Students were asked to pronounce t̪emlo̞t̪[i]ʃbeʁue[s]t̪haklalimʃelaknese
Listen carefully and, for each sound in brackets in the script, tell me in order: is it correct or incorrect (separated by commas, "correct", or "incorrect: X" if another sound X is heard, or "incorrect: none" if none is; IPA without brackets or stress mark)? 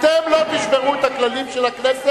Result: correct, incorrect: none